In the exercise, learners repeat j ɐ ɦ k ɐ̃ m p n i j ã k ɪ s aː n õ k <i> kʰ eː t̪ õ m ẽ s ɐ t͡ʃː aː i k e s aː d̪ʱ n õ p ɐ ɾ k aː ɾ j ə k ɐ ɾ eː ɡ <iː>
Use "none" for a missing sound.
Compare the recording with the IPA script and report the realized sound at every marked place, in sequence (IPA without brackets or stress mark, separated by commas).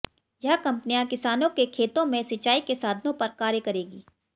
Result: e, iː